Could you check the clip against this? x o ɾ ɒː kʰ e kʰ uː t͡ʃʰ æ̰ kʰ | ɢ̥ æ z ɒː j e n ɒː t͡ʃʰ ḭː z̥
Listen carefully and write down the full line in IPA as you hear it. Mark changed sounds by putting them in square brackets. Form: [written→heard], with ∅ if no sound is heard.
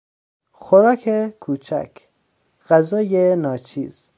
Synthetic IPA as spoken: x o ɾ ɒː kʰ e kʰ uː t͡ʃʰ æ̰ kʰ | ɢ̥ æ z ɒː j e n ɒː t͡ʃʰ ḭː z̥